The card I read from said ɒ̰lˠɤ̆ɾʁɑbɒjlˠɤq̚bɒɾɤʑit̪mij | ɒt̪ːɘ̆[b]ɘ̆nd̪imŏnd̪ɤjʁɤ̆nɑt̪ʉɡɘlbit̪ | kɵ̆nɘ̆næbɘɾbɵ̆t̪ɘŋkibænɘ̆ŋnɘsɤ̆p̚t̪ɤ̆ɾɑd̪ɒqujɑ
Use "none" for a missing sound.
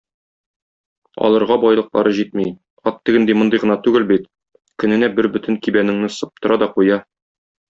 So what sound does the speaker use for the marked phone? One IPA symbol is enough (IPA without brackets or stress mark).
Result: ɡ